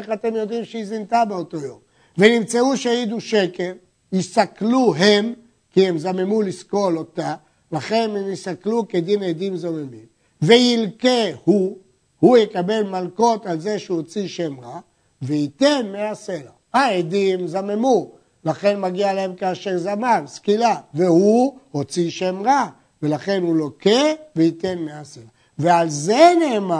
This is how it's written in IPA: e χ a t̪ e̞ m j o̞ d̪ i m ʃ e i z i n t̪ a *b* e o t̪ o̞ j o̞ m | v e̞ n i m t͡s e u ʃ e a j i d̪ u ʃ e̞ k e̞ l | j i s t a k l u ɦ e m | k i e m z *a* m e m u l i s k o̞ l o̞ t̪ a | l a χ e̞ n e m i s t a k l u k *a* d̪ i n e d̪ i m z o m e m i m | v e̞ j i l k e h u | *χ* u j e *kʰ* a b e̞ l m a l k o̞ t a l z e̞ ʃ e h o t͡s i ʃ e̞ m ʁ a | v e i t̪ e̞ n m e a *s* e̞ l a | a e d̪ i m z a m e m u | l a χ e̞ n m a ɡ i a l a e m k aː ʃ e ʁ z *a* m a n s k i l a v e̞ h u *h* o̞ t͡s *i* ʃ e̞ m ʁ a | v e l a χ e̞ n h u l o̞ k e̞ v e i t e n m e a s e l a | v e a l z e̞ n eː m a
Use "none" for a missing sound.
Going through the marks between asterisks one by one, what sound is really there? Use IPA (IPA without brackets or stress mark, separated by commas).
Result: b, a, e, h, k, s, a, h, i